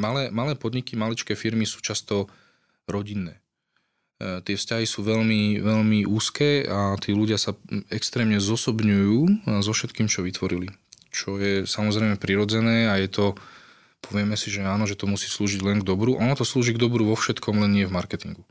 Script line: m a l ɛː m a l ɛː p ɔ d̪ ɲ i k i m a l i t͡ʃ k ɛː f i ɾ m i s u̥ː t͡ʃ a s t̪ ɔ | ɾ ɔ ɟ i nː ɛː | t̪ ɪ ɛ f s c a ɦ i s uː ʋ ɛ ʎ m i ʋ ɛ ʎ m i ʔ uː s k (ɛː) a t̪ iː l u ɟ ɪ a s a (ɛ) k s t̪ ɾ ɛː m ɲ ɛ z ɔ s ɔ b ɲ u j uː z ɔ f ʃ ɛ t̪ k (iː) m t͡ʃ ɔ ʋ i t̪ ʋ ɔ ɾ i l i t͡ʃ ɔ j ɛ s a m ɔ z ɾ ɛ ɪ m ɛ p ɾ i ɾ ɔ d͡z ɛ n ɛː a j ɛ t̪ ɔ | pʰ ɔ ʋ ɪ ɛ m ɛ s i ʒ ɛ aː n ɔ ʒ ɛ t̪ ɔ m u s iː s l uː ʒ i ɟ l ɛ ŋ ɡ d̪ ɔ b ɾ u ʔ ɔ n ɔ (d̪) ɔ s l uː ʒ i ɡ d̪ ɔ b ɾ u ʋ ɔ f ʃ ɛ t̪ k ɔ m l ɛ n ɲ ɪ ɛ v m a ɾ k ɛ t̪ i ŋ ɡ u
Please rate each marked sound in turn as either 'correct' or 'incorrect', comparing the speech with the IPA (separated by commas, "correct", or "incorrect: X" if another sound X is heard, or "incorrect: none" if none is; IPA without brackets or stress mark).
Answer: correct, correct, correct, incorrect: t̪